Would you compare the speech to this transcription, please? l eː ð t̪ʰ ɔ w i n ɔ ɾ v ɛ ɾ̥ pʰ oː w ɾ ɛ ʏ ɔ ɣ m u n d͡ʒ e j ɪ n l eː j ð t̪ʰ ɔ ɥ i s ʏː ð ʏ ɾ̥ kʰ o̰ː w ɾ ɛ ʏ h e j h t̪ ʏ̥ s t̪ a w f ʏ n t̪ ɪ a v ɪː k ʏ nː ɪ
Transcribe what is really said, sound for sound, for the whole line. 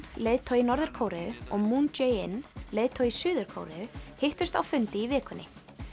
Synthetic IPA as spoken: l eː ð t̪ʰ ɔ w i n ɔ ɾ ð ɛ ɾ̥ kʰ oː w ɾ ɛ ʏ ɔ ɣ m u n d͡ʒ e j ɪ n l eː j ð t̪ʰ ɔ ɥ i s ʏː ð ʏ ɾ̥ kʰ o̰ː w ɾ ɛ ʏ h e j h t̪ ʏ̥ s t̪ a w f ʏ n t̪ ɪ i v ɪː k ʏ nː ɪ